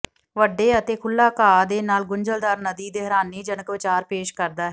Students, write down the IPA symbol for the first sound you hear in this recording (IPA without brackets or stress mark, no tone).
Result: ʋ